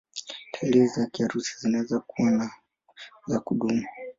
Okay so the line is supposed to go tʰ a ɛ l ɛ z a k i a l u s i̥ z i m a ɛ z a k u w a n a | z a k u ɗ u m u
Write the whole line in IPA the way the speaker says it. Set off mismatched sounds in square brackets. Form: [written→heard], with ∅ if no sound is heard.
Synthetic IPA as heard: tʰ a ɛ l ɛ z a k i a [l→ɾ] u s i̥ z i [m→n] a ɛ z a k u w a n a | z a k u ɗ u m u